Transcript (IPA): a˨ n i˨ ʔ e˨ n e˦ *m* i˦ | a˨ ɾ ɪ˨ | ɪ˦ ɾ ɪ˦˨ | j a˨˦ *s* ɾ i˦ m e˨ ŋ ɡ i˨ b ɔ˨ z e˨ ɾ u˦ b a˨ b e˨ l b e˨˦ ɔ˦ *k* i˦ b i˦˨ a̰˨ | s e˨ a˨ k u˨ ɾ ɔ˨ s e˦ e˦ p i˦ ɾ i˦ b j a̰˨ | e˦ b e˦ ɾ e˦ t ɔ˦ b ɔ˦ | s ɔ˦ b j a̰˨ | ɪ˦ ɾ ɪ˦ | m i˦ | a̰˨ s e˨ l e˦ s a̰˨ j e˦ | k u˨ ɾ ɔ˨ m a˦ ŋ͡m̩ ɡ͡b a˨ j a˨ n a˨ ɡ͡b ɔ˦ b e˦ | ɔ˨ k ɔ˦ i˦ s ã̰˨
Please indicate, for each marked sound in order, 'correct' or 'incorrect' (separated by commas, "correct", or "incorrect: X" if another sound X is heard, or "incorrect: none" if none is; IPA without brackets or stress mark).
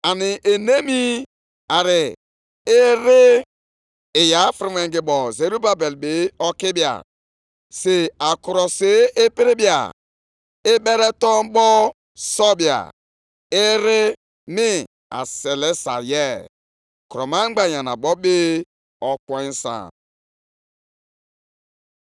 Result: correct, incorrect: f, correct